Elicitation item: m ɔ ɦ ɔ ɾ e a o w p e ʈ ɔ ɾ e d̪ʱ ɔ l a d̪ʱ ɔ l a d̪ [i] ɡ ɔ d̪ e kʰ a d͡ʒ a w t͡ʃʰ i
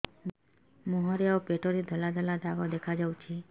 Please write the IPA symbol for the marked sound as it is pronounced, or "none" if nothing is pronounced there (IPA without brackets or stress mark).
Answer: a